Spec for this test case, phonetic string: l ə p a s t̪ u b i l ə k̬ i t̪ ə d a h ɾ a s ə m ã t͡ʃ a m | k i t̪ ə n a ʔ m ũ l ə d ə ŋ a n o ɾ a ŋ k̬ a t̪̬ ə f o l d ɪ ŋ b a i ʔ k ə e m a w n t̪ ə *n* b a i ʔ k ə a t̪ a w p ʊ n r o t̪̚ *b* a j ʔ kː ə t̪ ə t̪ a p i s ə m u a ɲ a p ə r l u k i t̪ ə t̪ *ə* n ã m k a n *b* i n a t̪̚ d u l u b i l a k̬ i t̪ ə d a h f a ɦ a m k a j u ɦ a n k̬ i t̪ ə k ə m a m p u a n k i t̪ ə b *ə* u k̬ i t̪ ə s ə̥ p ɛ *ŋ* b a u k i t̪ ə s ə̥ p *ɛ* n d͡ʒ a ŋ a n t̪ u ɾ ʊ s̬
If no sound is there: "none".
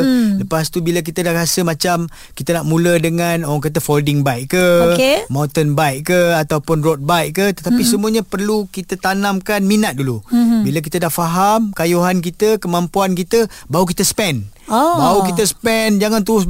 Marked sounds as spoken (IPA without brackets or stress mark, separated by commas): n, b, a, m, a, n, ɛ